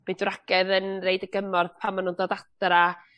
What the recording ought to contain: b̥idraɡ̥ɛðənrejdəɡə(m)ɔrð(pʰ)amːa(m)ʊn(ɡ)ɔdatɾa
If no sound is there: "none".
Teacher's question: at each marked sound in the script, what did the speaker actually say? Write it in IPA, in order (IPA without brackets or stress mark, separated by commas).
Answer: m, pʰ, n, d